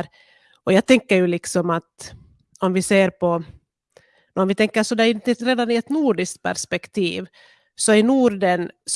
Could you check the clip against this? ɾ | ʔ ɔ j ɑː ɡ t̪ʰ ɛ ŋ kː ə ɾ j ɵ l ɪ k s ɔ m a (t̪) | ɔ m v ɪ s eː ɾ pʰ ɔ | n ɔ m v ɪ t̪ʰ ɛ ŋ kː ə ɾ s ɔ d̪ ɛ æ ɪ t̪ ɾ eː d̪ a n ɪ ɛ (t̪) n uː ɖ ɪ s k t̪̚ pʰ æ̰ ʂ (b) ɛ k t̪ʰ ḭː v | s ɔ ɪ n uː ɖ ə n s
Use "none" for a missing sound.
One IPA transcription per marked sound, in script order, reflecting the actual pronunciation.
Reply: t̪, t̪, p

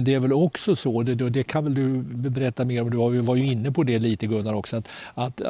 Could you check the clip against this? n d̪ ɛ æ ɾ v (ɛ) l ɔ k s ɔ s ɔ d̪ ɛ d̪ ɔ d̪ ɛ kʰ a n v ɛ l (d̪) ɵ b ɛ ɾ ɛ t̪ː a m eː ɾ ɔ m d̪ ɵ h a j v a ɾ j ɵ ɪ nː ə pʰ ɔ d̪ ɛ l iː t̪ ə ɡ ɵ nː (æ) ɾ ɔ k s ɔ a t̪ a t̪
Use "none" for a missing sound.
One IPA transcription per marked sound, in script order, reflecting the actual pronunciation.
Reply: ɛ, d̪, a

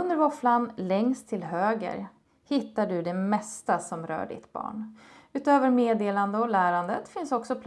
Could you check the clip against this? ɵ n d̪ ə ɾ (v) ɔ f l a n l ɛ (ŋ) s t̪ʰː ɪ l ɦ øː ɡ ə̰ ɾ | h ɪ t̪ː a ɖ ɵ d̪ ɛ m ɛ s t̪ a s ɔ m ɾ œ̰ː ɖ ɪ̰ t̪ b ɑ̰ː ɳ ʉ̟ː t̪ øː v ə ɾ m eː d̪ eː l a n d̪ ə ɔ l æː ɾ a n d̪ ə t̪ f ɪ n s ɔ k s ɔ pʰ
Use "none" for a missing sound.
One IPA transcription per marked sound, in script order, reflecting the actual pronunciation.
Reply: v, ŋ

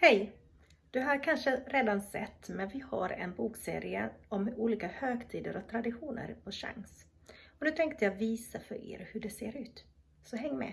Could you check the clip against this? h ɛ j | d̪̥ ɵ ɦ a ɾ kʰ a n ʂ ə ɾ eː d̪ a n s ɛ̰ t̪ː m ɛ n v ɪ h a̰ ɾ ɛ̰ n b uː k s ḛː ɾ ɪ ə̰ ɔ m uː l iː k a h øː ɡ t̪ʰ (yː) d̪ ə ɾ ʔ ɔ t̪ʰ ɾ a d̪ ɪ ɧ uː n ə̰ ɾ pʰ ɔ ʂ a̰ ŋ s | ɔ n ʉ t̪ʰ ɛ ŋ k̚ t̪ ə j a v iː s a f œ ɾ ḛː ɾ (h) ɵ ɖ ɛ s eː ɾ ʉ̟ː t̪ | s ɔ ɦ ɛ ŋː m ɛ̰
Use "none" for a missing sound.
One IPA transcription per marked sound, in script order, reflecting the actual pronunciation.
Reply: iː, h

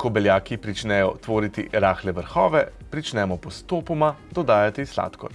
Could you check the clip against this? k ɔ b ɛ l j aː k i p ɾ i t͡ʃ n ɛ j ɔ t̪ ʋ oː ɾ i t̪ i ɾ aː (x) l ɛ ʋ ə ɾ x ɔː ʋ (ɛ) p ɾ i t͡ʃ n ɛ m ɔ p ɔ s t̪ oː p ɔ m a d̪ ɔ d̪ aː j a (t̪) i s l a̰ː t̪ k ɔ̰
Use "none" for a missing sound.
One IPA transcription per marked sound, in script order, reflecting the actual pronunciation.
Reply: x, ɛ, t̪

